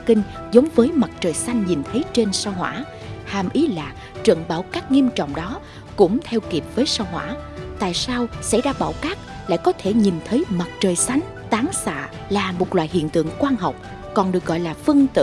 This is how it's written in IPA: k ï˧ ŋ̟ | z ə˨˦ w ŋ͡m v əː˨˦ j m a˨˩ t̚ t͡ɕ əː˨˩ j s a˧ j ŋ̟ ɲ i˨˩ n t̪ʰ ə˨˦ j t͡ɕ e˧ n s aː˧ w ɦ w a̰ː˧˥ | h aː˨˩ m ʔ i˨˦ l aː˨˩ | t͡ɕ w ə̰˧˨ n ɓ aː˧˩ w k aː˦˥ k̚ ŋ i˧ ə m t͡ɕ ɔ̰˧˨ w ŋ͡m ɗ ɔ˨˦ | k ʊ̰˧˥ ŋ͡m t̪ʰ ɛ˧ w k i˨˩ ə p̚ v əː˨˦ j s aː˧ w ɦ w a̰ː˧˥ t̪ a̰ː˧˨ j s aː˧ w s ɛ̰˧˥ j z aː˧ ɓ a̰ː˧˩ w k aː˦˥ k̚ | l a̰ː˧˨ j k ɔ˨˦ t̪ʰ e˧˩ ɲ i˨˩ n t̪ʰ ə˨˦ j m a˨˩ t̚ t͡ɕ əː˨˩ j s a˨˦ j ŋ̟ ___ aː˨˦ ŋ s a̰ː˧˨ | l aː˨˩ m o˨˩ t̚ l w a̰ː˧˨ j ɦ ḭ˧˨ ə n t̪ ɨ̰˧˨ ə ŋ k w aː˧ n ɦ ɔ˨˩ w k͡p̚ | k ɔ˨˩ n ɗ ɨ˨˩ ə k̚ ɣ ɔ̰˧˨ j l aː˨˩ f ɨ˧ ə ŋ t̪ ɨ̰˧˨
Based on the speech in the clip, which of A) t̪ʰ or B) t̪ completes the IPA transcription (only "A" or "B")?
B